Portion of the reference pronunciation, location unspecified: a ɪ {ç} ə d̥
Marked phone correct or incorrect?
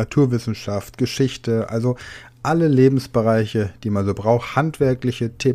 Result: correct